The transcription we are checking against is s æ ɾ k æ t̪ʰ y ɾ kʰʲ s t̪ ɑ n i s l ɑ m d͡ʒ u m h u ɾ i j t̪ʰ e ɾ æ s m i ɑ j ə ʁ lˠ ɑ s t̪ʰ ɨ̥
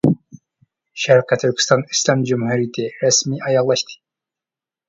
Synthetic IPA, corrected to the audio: ʃ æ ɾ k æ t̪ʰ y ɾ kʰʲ s t̪ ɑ n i s l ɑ m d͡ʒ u m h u ɾ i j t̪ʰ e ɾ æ s m i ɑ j ɑ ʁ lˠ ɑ ʃ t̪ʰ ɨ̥